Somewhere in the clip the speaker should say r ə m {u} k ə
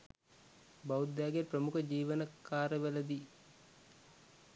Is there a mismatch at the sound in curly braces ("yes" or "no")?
no